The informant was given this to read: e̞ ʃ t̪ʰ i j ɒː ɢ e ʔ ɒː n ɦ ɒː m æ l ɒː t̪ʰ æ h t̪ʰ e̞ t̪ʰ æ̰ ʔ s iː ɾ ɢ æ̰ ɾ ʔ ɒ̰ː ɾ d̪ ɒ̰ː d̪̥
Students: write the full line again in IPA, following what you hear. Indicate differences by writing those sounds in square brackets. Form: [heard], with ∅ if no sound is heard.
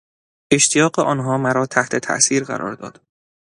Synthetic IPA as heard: e̞ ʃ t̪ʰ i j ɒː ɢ e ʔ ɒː n ɦ ɒː m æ [ɾ] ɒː t̪ʰ æ h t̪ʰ e̞ t̪ʰ æ̰ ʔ s iː ɾ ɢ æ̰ ɾ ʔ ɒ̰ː ɾ d̪ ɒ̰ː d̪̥